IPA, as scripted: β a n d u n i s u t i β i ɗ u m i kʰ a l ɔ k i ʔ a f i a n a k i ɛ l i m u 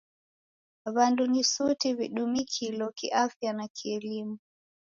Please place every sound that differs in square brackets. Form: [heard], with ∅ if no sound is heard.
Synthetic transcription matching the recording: β a n d u n i s u t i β i ɗ u m i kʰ [i] l ɔ k i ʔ a f [j] a n a k i ɛ l i m u